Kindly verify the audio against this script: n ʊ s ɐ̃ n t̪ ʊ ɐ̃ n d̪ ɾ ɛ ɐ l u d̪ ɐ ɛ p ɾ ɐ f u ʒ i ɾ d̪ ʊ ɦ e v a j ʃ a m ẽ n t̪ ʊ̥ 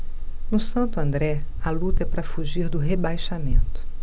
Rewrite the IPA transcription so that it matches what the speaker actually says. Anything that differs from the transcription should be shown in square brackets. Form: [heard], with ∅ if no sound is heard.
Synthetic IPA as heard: n ʊ s ɐ̃ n t̪ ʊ ɐ̃ n d̪ ɾ ɛ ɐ l u [t̪] ɐ ɛ p ɾ ɐ f u ʒ i ɾ d̪ ʊ ɦ e [b] a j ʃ a m ẽ n t̪ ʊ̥